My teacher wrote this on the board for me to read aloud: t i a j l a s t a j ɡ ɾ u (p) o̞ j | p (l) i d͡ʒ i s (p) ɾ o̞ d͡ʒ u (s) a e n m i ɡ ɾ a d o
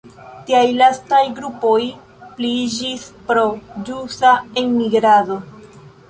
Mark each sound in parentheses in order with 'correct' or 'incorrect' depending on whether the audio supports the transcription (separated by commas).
correct, correct, correct, correct